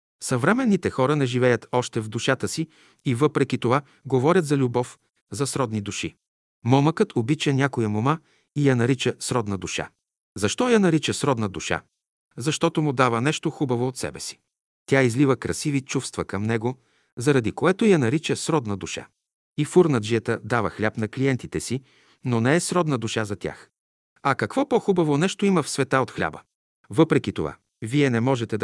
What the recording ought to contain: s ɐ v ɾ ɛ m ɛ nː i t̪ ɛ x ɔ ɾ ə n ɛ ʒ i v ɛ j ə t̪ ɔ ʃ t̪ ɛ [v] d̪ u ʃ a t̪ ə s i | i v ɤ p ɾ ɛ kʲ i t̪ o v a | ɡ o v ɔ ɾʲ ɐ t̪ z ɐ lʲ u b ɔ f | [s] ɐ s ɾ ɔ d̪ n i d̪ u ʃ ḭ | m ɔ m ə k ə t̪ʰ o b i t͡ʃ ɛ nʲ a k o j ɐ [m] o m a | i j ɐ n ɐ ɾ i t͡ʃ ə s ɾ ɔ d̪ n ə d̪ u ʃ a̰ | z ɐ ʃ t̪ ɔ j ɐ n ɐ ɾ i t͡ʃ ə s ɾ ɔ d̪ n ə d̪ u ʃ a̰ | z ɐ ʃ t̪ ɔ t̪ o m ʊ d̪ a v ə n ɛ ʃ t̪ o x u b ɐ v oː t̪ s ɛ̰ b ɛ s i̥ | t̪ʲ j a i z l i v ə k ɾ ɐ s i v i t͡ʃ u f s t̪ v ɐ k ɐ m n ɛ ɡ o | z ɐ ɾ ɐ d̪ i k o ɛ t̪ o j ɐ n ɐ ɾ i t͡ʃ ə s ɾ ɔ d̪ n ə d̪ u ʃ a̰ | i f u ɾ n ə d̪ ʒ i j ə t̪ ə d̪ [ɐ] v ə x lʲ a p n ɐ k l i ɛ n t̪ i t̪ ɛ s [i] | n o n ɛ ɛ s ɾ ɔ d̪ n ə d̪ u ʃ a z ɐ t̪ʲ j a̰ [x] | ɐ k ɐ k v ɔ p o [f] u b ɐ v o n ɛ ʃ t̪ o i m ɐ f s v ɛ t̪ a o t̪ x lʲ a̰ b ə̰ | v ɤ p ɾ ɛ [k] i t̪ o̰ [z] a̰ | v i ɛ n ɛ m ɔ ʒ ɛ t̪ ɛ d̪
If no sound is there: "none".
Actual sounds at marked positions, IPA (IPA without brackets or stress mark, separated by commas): v, z, m, a, i, x, x, k, v